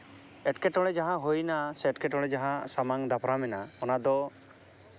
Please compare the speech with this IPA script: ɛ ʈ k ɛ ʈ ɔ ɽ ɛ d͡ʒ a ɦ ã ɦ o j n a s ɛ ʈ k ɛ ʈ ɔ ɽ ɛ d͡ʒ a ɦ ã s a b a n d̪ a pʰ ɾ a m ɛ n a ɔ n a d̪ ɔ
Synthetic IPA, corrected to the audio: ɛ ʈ k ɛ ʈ ɔ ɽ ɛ d͡ʒ a ɦ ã ɦ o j n a s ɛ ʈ k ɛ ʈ ɔ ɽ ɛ d͡ʒ a ɦ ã s a m a ŋ d̪ a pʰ ɾ a m ɛ n a ɔ n a d̪ ɔ